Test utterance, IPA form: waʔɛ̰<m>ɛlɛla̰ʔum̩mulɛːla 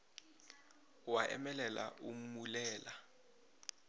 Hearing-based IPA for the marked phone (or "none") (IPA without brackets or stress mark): m